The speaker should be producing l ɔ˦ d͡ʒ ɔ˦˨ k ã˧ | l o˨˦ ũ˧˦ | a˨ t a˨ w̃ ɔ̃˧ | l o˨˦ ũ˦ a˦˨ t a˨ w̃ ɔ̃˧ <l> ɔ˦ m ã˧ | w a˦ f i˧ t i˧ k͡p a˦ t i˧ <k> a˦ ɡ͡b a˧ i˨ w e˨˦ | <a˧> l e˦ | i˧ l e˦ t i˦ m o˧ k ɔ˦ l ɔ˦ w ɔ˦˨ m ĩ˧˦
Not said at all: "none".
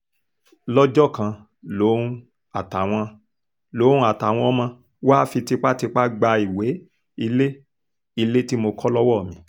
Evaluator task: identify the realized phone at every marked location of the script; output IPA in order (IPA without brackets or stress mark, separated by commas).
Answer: none, k͡p, i˧